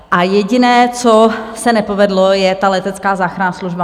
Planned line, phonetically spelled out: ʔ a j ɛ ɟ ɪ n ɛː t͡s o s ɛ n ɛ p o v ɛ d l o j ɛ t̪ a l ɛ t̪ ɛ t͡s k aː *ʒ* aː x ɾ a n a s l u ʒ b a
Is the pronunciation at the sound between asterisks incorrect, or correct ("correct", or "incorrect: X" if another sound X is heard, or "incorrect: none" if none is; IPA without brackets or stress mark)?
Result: incorrect: z